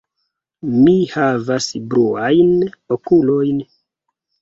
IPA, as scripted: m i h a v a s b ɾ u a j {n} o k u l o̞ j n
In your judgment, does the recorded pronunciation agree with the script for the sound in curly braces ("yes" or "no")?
yes